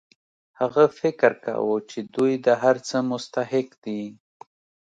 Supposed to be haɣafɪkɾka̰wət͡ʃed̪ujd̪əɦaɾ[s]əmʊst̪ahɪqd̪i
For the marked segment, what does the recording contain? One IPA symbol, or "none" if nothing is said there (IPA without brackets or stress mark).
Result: t͡s